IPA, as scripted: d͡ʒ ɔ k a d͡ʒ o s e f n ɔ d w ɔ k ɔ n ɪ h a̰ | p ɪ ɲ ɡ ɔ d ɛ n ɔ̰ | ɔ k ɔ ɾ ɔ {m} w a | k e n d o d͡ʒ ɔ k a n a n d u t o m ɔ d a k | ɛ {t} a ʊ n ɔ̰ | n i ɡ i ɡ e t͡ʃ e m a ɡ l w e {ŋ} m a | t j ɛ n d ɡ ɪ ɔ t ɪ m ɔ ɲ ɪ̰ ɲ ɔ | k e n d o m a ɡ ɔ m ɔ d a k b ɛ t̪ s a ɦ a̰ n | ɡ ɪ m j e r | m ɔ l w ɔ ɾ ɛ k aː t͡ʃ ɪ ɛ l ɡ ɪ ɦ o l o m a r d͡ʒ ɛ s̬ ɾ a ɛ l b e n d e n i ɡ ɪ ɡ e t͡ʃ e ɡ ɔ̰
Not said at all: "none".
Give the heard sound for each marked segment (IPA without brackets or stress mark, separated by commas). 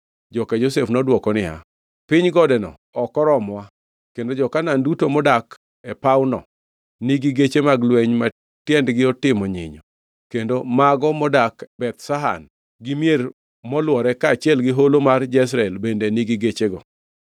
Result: m, p, ɲ